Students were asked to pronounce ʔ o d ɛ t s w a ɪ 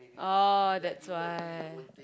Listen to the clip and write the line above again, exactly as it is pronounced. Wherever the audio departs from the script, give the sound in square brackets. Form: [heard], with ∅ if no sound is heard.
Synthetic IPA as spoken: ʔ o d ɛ t s w a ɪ